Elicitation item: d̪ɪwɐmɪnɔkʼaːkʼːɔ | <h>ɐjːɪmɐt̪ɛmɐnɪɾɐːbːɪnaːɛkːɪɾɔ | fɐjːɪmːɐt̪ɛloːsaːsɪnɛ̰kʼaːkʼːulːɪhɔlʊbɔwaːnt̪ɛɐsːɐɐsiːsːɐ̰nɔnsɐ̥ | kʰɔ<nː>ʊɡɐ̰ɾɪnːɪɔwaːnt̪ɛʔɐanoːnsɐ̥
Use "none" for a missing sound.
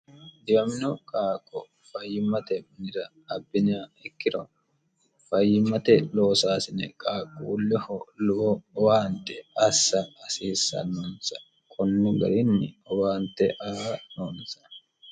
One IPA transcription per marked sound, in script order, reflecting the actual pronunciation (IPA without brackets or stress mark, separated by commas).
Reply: f, nː